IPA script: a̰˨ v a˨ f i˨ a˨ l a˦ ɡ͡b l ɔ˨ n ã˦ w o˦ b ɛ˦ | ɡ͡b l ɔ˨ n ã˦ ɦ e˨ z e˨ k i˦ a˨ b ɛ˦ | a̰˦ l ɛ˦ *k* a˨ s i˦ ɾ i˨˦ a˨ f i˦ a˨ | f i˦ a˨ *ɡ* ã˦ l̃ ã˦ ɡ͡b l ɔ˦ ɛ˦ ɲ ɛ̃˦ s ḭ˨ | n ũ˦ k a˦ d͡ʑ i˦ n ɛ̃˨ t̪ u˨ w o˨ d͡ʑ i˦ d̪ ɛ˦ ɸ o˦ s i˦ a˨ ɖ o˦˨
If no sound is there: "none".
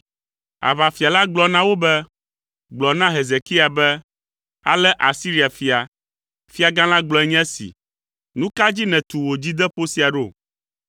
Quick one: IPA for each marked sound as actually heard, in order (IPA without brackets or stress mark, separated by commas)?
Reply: ʔ, ɡ